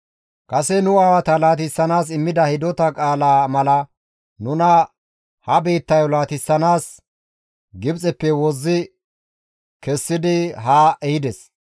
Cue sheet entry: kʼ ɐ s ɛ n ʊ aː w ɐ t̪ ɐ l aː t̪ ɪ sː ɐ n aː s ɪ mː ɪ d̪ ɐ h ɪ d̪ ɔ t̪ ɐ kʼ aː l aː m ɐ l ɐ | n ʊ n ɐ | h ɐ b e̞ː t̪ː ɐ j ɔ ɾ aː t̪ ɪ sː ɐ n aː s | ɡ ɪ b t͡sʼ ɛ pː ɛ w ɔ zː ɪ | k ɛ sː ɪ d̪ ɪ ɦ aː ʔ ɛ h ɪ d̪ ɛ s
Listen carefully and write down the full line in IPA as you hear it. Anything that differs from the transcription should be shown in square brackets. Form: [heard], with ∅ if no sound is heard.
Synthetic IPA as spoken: kʼ ɐ s ɛ n ʊ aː w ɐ t̪ ɐ l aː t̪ ɪ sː ɐ n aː s ɪ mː ɪ d̪ ɐ h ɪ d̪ ɔ t̪ ɐ kʼ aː l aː m ɐ l ɐ | n ʊ n ɐ | h ɐ b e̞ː t̪ː ɐ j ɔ [l] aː t̪ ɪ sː ɐ n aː s | ɡ ɪ b t͡sʼ ɛ pː ɛ w ɔ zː ɪ | k ɛ sː ɪ d̪ ɪ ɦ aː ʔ ɛ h ɪ d̪ ɛ s